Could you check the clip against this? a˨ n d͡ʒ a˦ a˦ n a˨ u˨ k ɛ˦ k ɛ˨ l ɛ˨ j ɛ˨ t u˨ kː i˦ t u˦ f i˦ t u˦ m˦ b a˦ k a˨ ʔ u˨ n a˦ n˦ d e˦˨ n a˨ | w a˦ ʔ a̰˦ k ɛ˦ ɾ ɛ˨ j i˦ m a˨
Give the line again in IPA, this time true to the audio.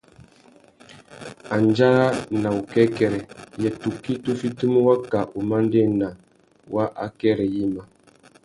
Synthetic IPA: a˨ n d͡ʒ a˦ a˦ n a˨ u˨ k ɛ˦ k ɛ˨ ɾ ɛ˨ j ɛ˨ t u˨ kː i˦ t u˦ f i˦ t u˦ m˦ w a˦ k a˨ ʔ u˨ m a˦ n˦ d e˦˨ n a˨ | w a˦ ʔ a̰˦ k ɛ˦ ɾ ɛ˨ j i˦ m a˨

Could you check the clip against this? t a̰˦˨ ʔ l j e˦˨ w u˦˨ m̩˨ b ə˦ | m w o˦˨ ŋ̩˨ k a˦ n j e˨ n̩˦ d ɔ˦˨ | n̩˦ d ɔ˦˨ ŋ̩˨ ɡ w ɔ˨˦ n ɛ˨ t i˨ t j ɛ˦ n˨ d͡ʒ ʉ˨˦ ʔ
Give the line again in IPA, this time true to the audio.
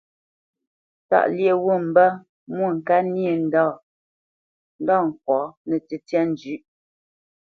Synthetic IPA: t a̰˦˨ ʔ l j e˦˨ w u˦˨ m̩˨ b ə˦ | m w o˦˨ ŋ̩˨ k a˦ n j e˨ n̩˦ d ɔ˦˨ | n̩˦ d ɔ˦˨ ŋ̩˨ k w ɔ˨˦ n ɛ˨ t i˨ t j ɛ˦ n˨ d͡ʒ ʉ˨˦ ʔ

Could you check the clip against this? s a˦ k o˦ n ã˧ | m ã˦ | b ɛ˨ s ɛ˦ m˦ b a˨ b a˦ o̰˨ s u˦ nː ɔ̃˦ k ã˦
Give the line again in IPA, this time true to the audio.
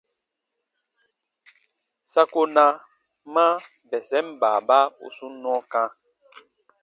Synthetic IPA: s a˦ k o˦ n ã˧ | m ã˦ | b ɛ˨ s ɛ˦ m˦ b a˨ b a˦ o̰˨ s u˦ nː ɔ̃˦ k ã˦

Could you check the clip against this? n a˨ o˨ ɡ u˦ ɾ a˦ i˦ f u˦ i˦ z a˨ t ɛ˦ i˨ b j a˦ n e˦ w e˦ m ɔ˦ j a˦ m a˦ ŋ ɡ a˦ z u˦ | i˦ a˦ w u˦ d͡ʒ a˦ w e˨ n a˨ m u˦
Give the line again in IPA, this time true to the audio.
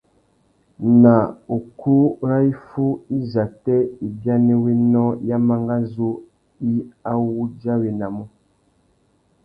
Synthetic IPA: n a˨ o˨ k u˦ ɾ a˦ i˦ f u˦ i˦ z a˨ t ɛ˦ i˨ b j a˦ n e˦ w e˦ n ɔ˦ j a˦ m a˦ ŋ ɡ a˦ z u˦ | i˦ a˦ w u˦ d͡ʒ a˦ w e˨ n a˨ m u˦

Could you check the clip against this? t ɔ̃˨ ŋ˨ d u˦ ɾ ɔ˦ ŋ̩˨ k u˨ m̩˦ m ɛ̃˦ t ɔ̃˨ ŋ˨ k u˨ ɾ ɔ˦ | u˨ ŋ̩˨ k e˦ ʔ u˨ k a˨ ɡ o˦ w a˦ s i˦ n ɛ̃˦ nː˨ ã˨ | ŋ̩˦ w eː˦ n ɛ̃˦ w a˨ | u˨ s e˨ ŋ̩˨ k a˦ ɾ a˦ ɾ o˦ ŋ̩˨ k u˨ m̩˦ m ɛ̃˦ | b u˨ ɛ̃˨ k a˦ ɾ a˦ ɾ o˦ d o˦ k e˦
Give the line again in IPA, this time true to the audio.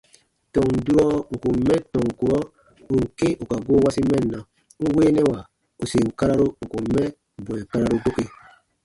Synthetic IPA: t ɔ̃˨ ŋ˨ d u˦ ɾ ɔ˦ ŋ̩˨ k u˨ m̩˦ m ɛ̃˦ t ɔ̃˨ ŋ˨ k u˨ ɾ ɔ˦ | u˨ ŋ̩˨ k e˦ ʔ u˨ k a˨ ɡ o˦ w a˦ s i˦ m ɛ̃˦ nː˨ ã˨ | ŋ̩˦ w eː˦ n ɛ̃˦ w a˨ | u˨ s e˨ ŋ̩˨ k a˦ ɾ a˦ ɾ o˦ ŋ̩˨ k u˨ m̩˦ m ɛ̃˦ | b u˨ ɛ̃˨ k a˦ ɾ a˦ ɾ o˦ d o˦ k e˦

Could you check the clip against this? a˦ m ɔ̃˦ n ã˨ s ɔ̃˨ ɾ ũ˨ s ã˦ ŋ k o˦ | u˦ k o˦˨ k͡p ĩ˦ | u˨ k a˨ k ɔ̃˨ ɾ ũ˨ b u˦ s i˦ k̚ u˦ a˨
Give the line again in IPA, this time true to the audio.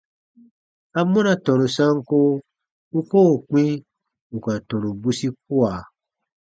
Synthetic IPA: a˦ m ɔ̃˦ n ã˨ t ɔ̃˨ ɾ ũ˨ s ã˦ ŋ k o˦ | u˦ k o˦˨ k͡p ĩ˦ | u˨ k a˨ t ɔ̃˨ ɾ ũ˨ b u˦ s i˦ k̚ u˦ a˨

